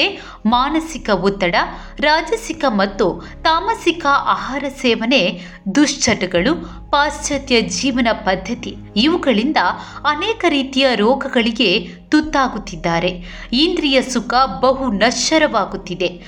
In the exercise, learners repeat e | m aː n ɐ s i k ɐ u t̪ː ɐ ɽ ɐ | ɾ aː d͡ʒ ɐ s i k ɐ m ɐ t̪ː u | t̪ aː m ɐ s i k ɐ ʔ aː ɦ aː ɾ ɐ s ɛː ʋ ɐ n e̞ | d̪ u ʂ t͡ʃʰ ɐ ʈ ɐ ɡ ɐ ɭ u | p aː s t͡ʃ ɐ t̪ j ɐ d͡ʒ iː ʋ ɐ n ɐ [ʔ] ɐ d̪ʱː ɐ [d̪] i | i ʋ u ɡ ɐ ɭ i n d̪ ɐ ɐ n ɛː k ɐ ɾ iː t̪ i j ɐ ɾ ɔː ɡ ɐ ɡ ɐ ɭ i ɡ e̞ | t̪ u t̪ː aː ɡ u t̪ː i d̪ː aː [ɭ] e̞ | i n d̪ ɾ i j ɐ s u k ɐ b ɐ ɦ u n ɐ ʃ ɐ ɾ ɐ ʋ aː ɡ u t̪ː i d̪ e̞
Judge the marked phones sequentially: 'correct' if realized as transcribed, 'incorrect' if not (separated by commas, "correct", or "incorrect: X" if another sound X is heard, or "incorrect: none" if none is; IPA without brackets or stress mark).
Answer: incorrect: p, incorrect: t̪, incorrect: ɾ